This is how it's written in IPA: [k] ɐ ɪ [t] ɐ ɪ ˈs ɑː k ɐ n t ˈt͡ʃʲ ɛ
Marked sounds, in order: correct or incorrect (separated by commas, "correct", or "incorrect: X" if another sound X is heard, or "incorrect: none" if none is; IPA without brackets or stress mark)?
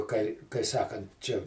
correct, incorrect: k